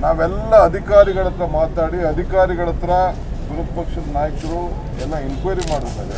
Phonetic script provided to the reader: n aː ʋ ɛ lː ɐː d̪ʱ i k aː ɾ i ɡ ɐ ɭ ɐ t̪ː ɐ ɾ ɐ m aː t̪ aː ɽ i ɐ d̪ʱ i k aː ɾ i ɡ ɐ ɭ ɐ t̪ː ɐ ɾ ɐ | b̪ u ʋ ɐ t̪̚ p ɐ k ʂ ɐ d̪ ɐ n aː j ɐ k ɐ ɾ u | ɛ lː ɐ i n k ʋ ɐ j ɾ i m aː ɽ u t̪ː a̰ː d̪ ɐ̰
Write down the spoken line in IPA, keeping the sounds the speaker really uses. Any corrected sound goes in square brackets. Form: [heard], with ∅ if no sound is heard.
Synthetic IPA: n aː ʋ ɛ lː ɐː d̪ʱ i k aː ɾ i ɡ ɐ ɭ ɐ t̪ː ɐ ɾ ɐ m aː t̪ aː ɽ i ɐ d̪ʱ i k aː ɾ i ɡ ɐ ɭ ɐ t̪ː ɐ ɾ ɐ | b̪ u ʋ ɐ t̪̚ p ɐ k ʂ ɐ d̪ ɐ n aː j ɐ k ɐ ɾ u | ɛ lː ɐ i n k ʋ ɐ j ɾ i m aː ɽ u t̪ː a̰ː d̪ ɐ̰